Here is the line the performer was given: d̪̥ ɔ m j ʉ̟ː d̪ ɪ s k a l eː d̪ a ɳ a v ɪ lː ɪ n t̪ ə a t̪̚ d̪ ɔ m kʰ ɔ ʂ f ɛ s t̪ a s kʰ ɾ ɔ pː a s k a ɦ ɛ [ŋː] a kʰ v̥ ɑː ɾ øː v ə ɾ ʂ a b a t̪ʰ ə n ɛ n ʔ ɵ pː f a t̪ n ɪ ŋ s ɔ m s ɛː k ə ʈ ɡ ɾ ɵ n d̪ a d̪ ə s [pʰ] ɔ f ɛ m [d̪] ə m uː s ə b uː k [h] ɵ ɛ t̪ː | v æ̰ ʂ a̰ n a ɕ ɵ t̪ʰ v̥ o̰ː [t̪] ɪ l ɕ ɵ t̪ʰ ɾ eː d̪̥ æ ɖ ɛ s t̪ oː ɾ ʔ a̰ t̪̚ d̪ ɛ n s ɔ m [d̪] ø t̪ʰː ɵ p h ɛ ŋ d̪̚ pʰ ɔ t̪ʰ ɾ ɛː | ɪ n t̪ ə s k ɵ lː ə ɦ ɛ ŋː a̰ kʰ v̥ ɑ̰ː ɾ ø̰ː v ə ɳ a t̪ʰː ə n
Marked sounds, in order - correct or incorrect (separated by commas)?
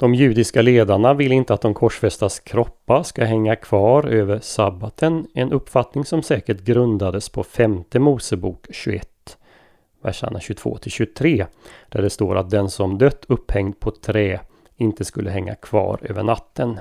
correct, correct, incorrect, incorrect, incorrect, correct